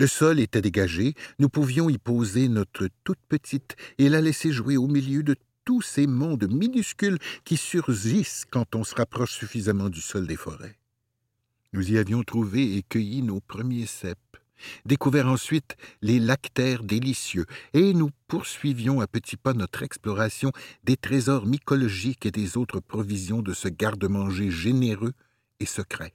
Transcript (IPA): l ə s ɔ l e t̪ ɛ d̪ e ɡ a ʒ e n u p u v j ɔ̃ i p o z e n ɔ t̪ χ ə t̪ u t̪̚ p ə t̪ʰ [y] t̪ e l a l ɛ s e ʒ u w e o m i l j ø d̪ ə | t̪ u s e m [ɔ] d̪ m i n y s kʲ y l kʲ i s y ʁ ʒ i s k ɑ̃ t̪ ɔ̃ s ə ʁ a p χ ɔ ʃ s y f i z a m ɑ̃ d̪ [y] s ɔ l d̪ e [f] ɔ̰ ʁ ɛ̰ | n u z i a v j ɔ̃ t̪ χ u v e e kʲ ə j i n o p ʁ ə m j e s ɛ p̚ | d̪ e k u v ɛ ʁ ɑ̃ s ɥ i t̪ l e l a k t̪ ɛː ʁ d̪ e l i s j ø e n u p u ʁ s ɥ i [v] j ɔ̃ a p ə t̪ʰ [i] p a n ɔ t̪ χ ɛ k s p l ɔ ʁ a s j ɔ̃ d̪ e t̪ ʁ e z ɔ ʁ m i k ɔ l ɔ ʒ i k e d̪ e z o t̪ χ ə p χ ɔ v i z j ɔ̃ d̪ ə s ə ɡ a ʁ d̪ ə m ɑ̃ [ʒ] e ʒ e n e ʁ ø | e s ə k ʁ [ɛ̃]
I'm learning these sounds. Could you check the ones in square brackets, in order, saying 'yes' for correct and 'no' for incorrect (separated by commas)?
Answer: no, no, yes, yes, yes, yes, yes, no